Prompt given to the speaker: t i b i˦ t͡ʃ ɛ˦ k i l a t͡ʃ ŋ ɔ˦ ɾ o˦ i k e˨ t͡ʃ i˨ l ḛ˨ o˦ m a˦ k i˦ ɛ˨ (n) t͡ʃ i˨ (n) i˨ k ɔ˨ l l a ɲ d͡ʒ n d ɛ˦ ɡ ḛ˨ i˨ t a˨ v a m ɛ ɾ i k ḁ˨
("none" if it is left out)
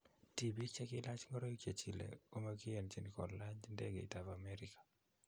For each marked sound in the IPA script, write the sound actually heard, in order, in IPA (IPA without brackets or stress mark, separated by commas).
n, n